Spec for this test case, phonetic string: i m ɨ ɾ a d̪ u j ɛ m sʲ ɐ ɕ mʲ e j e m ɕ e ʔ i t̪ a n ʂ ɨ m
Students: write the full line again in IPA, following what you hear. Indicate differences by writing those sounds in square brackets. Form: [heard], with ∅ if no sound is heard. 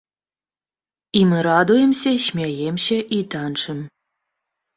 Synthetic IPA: i m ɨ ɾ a d̪ u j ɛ m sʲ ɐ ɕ mʲ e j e m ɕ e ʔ i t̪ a n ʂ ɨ m

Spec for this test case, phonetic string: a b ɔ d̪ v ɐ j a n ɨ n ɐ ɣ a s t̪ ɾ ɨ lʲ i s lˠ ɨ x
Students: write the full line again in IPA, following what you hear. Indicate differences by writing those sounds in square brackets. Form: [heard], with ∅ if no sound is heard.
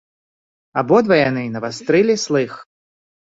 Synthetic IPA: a b ɔ d̪ v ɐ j a n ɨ n ɐ [v] a s t̪ ɾ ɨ lʲ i s lˠ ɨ x

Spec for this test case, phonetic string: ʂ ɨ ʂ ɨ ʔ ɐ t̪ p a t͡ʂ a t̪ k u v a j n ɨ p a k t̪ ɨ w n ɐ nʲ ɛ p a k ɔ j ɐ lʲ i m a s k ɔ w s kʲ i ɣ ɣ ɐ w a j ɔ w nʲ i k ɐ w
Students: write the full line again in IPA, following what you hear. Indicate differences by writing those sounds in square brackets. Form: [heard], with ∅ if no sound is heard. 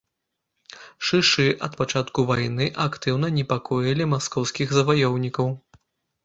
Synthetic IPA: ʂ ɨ ʂ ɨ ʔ ɐ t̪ p a t͡ʂ a t̪ k u v a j n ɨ [ʔ] a k t̪ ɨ w n ɐ nʲ ɛ p a k ɔ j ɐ lʲ i m a s k ɔ w s kʲ i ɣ [z] ɐ [v] a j ɔ w nʲ i k ɐ w

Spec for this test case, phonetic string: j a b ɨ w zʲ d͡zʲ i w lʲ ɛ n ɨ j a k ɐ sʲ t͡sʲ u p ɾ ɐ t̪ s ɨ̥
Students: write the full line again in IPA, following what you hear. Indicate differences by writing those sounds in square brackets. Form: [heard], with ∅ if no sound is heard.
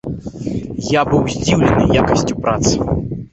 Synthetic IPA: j a b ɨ w zʲ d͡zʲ i w lʲ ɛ n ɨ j a k ɐ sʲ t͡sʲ u p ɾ [a] t̪ s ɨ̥

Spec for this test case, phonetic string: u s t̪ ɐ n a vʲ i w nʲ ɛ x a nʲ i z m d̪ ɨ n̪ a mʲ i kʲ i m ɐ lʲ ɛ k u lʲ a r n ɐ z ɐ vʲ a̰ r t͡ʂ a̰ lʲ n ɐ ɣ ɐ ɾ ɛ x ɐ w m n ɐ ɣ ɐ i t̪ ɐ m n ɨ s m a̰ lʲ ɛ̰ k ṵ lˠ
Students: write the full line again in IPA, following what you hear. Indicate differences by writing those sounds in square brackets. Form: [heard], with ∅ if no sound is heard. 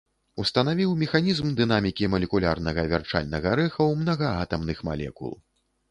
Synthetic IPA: u s t̪ ɐ n a vʲ i w [mʲ] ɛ x a nʲ i z m d̪ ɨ n̪ a mʲ i kʲ i m ɐ lʲ ɛ k u lʲ a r n ɐ [ɣ] ɐ vʲ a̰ r t͡ʂ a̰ lʲ n ɐ ɣ ɐ ɾ ɛ x ɐ w m n ɐ ɣ ɐ [a] t̪ ɐ m n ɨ [x] m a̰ lʲ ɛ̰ k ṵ lˠ

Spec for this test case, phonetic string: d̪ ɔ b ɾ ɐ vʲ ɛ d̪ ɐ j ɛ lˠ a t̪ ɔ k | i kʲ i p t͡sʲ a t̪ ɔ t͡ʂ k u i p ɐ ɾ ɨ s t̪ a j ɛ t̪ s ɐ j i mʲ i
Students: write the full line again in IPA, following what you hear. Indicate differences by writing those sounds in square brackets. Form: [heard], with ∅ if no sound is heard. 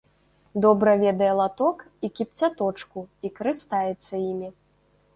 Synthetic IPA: d̪ ɔ b ɾ ɐ vʲ ɛ d̪ ɐ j ɛ lˠ a t̪ ɔ k | i kʲ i p t͡sʲ a t̪ ɔ t͡ʂ k u i [k] ɐ ɾ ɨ s t̪ a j ɛ t̪ [sː] ɐ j i mʲ i

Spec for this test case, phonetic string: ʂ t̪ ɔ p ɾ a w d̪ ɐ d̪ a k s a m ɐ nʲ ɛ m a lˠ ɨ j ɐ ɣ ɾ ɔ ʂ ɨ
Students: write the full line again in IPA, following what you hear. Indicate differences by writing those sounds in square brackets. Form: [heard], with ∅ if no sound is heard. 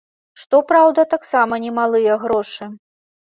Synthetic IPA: ʂ t̪ ɔ p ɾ a w d̪ ɐ [t̪] a k s a m ɐ nʲ ɛ m a lˠ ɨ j ɐ ɣ ɾ ɔ ʂ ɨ

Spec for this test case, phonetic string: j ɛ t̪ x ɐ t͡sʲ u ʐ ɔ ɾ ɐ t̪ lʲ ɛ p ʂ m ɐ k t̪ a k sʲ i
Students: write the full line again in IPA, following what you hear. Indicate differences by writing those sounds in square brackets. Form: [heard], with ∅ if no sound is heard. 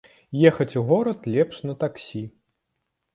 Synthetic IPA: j ɛ [∅] x ɐ t͡sʲ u [ɣ] ɔ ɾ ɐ t̪ lʲ ɛ p ʂ [n] ɐ [∅] t̪ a k sʲ i

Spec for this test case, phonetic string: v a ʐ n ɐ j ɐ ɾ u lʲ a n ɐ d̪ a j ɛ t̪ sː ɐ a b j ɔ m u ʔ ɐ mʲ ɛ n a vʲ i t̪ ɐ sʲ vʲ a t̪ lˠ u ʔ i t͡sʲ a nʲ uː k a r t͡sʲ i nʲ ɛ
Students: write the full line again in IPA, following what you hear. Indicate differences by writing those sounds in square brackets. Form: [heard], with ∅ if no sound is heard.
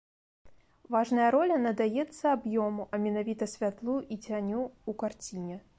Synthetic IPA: v a ʐ n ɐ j ɐ ɾ [ɔ] lʲ [ɐ] n ɐ d̪ a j ɛ t̪ sː ɐ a b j ɔ m u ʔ ɐ mʲ ɛ n a vʲ i t̪ ɐ sʲ vʲ a t̪ lˠ u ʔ i t͡sʲ a nʲ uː k a r t͡sʲ i nʲ ɛ

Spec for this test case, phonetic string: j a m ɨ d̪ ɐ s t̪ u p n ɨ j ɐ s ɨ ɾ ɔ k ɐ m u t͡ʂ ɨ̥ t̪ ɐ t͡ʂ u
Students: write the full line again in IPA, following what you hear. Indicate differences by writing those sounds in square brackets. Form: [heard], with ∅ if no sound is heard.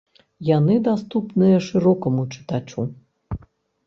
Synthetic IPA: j a [n] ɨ d̪ [a] s t̪ u p n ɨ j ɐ [ʂ] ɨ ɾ ɔ k ɐ m u t͡ʂ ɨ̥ t̪ [a] t͡ʂ u

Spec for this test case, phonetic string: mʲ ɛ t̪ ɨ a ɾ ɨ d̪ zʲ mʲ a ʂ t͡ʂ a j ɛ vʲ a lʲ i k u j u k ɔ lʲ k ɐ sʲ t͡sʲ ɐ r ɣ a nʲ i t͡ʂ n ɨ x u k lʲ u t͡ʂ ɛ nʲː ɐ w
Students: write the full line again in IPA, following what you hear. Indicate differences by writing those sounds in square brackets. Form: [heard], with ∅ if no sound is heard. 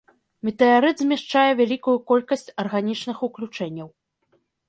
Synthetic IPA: mʲ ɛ t̪ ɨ a ɾ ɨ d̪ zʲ mʲ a ʂ t͡ʂ a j ɛ vʲ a lʲ i k u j u k ɔ lʲ k ɐ sʲ t͡sʲ ɐ r ɣ a nʲ i t͡ʂ n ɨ x u k lʲ u t͡ʂ ɛ nʲː ɐ w

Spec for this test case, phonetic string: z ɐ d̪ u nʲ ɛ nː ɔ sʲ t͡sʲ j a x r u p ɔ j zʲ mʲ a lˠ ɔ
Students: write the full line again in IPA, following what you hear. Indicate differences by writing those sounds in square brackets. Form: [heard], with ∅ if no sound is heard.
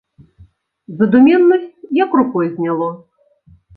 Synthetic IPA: z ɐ d̪ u [mʲ] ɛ nː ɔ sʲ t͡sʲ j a [k] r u [k] ɔ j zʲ [nʲ] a lˠ ɔ

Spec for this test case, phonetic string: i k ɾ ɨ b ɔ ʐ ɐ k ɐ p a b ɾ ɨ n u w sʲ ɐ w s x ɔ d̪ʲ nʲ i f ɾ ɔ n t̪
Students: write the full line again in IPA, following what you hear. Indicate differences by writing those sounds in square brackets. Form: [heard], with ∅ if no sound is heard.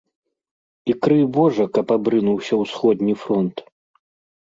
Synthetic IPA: i k ɾ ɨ b ɔ ʐ ɐ k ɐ p a b ɾ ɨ n u w sʲ ɐ w s x ɔ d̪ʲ nʲ i f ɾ ɔ n t̪

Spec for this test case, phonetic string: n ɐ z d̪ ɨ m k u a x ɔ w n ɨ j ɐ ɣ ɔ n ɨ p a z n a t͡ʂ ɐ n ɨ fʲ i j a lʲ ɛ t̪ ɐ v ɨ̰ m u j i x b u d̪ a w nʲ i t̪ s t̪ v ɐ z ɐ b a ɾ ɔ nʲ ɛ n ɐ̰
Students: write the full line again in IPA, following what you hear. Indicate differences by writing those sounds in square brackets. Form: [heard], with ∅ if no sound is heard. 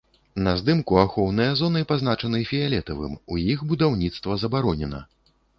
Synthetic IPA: n ɐ z d̪ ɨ m k u a x ɔ w n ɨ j ɐ [z] ɔ n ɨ p a z n a t͡ʂ ɐ n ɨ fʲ i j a lʲ ɛ t̪ ɐ v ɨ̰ m u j i x b u d̪ a w nʲ i t̪ s t̪ v ɐ z ɐ b a ɾ ɔ nʲ ɛ n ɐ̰

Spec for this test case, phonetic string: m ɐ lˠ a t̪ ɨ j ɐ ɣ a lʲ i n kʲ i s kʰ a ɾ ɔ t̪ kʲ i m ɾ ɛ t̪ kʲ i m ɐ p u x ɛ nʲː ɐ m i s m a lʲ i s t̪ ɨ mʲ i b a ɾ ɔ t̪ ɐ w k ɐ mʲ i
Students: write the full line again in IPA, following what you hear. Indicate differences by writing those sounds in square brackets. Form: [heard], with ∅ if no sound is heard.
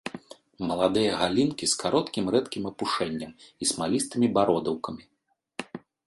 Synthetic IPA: m ɐ lˠ a [d̪] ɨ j ɐ ɣ a lʲ i n kʲ i s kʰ a ɾ ɔ t̪ kʲ i m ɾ ɛ t̪ kʲ i m ɐ p u [ʂ] ɛ nʲː ɐ m i s m a lʲ i s t̪ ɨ mʲ i b a ɾ ɔ [d̪] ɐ w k ɐ mʲ i

